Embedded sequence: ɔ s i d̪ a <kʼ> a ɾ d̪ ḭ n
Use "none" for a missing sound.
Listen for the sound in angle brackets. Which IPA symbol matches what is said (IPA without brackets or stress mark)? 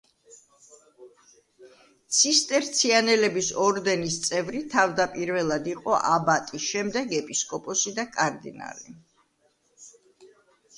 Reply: kʼ